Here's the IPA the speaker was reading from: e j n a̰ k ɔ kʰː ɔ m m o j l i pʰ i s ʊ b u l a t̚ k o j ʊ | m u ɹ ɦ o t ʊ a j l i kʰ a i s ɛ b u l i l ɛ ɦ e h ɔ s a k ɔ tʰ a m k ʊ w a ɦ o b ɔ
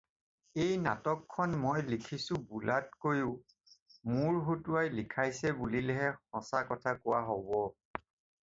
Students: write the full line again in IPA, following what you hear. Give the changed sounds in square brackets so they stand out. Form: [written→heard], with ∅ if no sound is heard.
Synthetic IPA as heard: e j n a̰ [k→t] ɔ kʰː ɔ [m→n] m o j l i [pʰ→kʰ] i s ʊ b u l a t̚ k o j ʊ | m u ɹ ɦ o t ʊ a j l i kʰ a [i→j] s ɛ b u l i l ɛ ɦ [e→ɛ] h ɔ s a k ɔ tʰ a [m→∅] k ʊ w a ɦ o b ɔ

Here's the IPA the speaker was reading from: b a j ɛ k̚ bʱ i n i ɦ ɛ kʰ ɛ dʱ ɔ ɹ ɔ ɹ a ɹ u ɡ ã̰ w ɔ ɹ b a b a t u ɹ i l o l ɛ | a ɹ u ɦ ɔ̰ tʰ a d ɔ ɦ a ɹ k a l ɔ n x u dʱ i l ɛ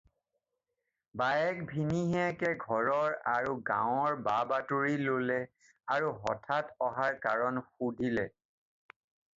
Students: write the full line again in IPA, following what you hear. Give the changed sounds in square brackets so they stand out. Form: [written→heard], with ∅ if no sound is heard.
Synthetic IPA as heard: b a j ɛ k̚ bʱ i n i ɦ ɛ [kʰ→k] ɛ [dʱ→ɡʱ] ɔ ɹ ɔ ɹ a ɹ u ɡ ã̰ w ɔ ɹ b a b a t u ɹ i l o l ɛ | a ɹ u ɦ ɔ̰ tʰ a [d→t] ɔ ɦ a ɹ k a [l→ɹ] ɔ n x u dʱ i l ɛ

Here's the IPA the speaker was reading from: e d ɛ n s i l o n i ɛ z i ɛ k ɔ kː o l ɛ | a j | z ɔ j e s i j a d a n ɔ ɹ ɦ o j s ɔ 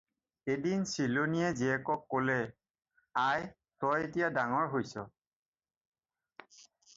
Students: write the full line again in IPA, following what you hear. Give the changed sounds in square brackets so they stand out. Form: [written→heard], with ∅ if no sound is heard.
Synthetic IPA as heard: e d [ɛ→i] n s i l o n i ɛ z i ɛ k ɔ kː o l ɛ | a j | [z→s] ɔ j e [s→t] i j a d a [n→ŋ] ɔ ɹ ɦ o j s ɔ

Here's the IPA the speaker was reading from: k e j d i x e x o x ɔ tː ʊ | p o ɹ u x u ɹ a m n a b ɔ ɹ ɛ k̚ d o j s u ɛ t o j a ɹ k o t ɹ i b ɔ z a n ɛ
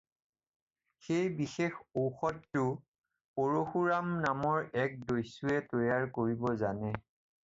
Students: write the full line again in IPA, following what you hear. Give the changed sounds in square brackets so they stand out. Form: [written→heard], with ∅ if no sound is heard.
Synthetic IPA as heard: [k→x] e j [d→b] i x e x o x ɔ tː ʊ | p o ɹ [u→o] x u ɹ a m n a [b→m] ɔ ɹ ɛ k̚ d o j s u ɛ t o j a ɹ k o [t→∅] ɹ i b ɔ z a n ɛ

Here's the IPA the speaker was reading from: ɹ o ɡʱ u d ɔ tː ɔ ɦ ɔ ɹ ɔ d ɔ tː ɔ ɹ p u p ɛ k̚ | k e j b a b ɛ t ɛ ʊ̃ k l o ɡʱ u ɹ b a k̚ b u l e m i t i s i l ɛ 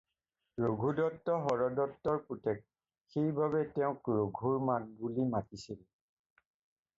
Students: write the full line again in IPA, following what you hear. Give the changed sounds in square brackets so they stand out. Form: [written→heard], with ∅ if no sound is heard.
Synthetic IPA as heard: ɹ o ɡʱ u d ɔ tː ɔ ɦ ɔ ɹ ɔ d ɔ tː ɔ ɹ p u [p→t] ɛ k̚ | [k→x] e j b a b ɛ t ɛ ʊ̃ k [l→ɹ] o ɡʱ u ɹ [b→m] a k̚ b u l [e→i] m [i→a] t i s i l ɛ

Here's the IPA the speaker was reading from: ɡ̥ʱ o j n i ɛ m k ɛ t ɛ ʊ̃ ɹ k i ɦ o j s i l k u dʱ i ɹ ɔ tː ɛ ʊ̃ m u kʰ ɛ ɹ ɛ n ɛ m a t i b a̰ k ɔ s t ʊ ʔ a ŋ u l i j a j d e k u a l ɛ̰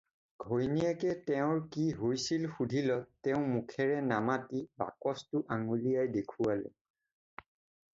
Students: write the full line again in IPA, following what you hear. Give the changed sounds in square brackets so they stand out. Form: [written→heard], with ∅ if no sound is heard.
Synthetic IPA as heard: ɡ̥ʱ o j n i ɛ [m→∅] k ɛ t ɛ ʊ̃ ɹ k i ɦ o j s i l [k→x] u dʱ i [ɹ→l] ɔ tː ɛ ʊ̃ m u kʰ ɛ ɹ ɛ n [ɛ→a] m a t i b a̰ k ɔ s t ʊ ʔ a ŋ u l i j a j d e [k→kʰ] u a l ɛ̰

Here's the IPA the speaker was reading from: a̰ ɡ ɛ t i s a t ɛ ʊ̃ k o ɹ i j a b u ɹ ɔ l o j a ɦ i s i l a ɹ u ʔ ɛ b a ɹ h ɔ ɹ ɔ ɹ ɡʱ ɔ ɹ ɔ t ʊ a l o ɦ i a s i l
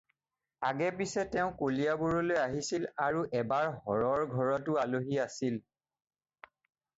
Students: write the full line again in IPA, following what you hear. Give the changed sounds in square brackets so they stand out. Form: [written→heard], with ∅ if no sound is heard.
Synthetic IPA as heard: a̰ ɡ ɛ [t→p] i s [a→ɛ] t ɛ ʊ̃ k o [ɹ→l] i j a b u ɹ ɔ l o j a ɦ i s i l a ɹ u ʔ ɛ b a ɹ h ɔ ɹ ɔ ɹ ɡʱ ɔ ɹ ɔ t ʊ a l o ɦ i a s i l

